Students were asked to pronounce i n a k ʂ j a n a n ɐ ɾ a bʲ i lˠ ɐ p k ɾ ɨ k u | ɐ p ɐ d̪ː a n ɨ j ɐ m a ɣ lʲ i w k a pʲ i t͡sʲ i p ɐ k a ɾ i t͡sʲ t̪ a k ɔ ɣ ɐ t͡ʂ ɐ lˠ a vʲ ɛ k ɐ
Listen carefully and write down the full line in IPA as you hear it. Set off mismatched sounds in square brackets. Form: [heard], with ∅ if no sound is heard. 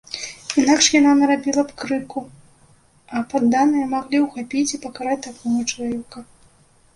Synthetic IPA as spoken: i n a k ʂ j a n a n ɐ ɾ a bʲ i lˠ ɐ p k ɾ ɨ k u | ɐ p [a] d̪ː a n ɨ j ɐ m a ɣ lʲ i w [x] a pʲ i t͡sʲ i p ɐ k a ɾ [a] t͡sʲ t̪ a k ɔ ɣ ɐ t͡ʂ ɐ lˠ a vʲ ɛ k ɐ